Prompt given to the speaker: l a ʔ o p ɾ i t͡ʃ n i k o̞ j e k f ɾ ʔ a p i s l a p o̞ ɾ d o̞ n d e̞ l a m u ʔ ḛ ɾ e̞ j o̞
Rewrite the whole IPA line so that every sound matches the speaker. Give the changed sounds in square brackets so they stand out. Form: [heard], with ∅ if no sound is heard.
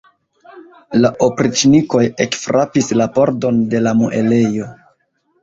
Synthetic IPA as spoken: l a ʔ o p ɾ i t͡ʃ n i k o̞ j e k f ɾ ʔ a p i s l a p o̞ ɾ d o̞ n d e̞ l a m u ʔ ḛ [l] e̞ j o̞